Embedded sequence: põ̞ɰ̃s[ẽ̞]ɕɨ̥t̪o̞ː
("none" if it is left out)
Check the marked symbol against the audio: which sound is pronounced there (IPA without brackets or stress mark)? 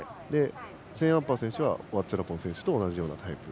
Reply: ẽ̞